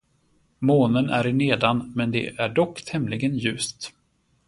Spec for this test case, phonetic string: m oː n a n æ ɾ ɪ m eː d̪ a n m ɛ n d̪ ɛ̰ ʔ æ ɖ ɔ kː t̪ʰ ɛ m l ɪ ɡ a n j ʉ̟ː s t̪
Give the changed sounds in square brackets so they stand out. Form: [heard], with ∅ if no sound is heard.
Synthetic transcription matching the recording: m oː n [ə] n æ ɾ ɪ [n] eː d̪ a n m ɛ n d̪ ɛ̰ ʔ æ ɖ ɔ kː t̪ʰ ɛ m l ɪ ɡ [ə] n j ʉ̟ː s t̪